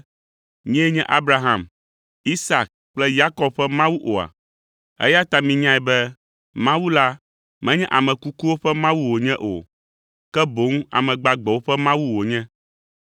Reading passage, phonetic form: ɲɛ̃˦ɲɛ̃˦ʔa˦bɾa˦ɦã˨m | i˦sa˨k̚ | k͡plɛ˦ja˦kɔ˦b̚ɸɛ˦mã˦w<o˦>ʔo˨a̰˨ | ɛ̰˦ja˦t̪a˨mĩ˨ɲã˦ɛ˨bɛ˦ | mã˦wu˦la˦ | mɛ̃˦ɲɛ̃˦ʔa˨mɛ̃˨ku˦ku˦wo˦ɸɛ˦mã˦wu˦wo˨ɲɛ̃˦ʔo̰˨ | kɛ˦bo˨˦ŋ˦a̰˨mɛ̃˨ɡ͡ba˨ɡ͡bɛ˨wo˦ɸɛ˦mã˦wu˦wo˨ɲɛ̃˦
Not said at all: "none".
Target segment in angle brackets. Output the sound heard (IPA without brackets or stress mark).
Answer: u˦